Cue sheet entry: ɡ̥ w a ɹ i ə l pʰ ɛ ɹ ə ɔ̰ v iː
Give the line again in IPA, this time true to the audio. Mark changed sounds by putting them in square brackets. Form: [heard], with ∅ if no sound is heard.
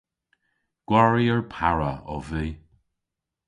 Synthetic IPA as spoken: ɡ̥ w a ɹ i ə [ɹ] pʰ [a] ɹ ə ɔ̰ v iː